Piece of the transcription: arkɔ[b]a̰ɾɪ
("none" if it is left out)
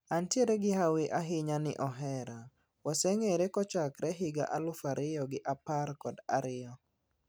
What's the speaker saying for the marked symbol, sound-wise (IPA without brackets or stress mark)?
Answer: d